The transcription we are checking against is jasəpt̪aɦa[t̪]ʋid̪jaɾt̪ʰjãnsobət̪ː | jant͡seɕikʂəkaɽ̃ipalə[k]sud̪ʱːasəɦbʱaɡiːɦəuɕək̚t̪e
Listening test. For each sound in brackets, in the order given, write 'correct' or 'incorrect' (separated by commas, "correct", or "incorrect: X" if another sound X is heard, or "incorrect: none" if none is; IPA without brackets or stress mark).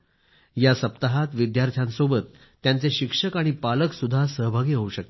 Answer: correct, correct